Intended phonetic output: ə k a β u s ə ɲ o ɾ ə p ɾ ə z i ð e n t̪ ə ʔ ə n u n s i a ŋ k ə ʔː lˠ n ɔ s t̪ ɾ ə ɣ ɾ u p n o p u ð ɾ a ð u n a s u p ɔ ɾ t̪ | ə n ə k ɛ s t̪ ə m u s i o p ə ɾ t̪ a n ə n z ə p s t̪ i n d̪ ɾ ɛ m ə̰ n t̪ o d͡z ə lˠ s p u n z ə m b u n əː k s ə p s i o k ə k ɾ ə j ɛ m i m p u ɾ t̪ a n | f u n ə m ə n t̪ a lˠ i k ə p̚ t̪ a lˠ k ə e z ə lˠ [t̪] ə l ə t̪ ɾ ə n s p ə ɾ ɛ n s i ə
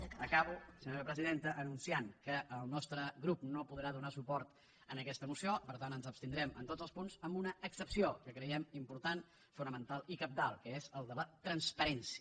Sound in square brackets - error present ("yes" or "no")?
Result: yes